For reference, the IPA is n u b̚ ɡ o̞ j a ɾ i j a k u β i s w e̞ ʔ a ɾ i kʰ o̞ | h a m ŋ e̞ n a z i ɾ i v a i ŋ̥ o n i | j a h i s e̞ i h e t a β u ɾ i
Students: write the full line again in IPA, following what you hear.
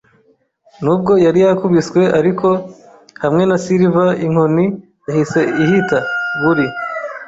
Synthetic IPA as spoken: n u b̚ ɡ o̞ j a ɾ i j a k u β i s w e̞ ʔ a ɾ i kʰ o̞ | h a m ŋ e̞ n a s i ɾ i v a i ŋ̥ o n i | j a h i s e̞ i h i t a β u ɾ i